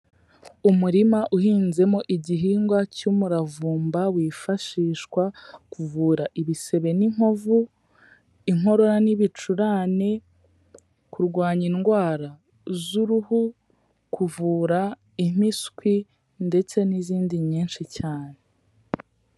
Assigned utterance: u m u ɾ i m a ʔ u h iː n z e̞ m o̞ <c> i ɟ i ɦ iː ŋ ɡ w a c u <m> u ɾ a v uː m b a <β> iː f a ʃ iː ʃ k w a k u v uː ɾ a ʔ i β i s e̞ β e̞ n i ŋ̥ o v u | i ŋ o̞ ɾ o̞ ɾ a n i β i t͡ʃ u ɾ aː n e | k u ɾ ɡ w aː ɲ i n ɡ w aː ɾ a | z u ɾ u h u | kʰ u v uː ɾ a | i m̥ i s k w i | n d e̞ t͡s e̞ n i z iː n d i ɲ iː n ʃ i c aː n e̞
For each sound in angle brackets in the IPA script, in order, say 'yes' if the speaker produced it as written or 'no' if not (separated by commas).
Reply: no, yes, no